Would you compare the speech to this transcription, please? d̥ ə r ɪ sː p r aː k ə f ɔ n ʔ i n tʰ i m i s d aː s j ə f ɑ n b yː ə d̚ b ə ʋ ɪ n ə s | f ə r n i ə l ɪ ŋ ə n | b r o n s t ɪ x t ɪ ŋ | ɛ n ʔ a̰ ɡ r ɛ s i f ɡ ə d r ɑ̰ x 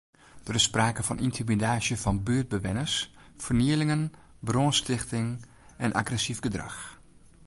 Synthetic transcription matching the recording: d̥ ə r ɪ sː p r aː k ə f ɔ n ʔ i n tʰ i m i d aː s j ə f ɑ n b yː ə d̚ b ə ʋ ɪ n ə s | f ə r n i ə l ɪ ŋ ə n | b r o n s t ɪ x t ɪ ŋ | ɛ n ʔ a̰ ɡ r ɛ s i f ɡ ə d r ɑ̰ x